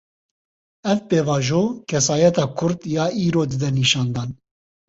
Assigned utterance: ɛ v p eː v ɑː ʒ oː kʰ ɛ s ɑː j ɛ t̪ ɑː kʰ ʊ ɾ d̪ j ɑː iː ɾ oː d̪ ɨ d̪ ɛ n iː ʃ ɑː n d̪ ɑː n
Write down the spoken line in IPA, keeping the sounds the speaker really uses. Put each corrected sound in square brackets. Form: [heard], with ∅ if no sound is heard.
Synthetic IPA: ɛ v p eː v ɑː ʒ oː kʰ ɛ s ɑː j ɛ t̪ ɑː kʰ ʊ ɾ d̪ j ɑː iː ɾ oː d̪ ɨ d̪ ɛ n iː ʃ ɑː n d̪ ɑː n